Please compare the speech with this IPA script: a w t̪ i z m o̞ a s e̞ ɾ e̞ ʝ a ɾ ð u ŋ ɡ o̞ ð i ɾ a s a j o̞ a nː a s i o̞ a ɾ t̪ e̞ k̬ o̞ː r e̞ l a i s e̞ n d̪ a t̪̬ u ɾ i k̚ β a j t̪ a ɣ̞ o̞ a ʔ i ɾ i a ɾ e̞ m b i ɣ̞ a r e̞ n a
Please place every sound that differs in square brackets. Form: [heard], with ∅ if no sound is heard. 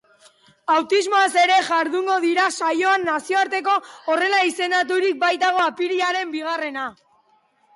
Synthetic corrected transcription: a w t̪ i z m o̞ a s e̞ ɾ e̞ ʝ a ɾ ð u ŋ ɡ o̞ ð i ɾ a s a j o̞ a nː a s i o̞ a ɾ t̪ e̞ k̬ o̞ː r e̞ l a i s e̞ n d̪ a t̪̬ u ɾ i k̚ [b] a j t̪ a ɣ̞ o̞ a [p] i ɾ i a ɾ e̞ m b i ɣ̞ a r e̞ n a